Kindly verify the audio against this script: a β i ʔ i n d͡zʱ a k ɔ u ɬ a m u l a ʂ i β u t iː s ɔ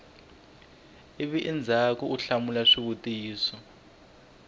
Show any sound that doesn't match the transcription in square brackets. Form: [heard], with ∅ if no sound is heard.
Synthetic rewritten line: [i] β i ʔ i n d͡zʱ a k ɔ u ɬ a m u l a ʂ i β u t iː s ɔ